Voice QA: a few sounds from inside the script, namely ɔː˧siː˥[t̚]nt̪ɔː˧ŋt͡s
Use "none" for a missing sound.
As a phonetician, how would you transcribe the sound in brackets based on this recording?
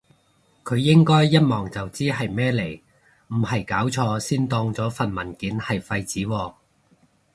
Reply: none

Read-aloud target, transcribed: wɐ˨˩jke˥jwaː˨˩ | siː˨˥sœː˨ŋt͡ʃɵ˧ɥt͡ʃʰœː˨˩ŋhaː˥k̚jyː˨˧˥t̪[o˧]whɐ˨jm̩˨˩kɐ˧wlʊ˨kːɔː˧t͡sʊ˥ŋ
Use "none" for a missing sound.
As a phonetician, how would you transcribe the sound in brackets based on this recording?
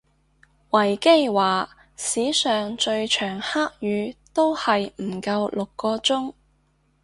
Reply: o˥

